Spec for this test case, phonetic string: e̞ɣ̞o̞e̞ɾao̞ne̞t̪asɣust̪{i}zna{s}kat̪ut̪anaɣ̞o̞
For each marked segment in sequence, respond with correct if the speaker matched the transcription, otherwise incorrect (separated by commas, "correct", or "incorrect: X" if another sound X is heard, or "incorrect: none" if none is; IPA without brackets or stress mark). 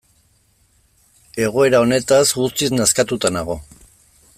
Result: correct, correct